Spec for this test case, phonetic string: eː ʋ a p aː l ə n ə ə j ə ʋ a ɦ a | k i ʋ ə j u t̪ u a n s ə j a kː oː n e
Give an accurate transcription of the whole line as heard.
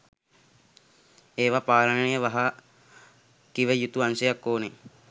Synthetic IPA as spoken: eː ʋ a p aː l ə n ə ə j ə ʋ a ɦ a | k i ʋ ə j u t̪ u a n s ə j a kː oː n e